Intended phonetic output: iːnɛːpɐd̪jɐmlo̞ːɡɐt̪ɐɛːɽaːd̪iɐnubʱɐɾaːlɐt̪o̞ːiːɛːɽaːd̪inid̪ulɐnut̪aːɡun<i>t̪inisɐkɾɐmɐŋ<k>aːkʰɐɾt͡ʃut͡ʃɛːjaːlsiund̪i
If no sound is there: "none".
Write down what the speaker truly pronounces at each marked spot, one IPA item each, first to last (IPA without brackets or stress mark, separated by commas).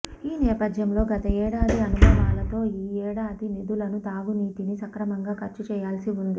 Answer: iː, ɡ